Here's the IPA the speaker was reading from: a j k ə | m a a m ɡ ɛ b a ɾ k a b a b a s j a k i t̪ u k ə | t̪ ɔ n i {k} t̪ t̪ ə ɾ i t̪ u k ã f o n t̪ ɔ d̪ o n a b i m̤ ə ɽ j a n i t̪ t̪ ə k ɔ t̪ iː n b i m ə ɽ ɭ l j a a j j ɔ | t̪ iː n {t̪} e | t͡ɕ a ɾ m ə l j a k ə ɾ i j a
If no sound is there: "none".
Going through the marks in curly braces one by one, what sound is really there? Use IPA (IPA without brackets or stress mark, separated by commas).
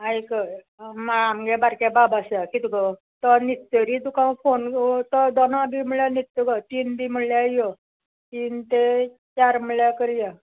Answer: none, t̪